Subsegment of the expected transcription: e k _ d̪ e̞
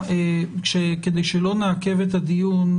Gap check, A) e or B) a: A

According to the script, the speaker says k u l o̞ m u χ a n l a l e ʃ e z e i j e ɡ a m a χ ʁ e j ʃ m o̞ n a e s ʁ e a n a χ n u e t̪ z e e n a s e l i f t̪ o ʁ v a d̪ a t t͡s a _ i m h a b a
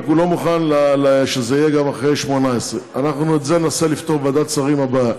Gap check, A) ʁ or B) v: A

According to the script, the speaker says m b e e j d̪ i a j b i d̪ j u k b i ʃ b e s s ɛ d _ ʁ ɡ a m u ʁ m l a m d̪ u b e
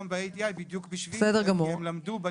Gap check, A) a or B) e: B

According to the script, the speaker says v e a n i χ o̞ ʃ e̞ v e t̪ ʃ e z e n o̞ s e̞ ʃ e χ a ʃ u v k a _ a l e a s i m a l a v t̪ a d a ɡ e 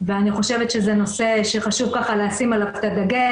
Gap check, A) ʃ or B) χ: B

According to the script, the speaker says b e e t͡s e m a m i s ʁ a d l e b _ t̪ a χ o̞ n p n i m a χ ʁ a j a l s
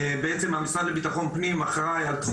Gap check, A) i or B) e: A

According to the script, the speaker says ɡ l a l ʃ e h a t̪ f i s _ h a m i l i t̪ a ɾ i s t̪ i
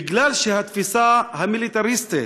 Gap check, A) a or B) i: A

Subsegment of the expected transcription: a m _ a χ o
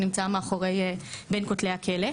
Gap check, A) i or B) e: B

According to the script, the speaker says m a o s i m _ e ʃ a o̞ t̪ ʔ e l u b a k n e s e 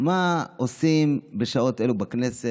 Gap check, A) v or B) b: B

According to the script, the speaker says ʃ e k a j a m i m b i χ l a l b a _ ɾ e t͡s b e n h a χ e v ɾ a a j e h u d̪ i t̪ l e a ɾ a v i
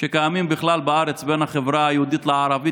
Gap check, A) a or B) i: A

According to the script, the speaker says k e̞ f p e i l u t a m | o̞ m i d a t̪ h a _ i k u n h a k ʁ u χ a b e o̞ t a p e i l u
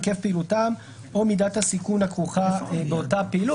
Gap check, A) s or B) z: A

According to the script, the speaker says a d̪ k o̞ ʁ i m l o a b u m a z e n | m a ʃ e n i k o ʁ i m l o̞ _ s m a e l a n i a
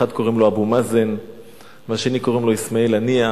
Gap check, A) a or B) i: B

